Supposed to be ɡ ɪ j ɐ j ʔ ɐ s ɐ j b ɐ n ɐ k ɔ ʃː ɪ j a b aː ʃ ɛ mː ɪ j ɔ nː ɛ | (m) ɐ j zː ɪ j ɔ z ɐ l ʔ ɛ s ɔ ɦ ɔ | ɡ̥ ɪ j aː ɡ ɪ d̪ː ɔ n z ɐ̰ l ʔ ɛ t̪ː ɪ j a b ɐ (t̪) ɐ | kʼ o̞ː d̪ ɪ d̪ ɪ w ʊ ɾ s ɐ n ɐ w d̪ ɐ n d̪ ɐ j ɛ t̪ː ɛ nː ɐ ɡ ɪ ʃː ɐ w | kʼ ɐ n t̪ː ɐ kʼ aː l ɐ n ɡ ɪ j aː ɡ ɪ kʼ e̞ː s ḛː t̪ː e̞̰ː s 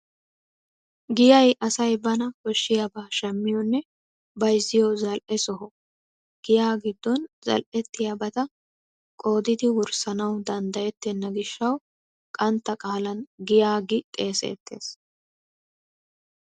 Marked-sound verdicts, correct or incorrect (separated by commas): incorrect, correct